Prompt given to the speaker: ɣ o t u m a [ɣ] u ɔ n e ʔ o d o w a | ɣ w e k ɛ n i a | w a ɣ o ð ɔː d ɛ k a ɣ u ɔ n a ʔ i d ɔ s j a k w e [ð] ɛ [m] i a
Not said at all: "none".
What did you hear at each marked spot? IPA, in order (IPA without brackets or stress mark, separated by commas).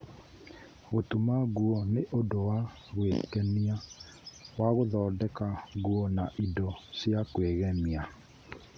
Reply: ɣ, ɣ, m